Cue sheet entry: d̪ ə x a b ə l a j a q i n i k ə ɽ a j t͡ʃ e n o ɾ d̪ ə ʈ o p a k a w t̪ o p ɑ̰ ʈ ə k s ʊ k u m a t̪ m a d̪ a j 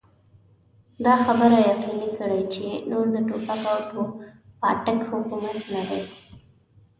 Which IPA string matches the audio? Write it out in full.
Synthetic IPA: d̪ ɑ x a b ə ɾ a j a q i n i k ə ɽ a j t͡ʃ e n o ɾ d̪ ə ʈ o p a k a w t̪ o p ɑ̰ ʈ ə k h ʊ k u m a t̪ n a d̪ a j